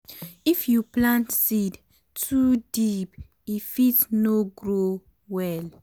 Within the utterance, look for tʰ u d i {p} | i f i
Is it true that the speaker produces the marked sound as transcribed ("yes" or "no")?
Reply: yes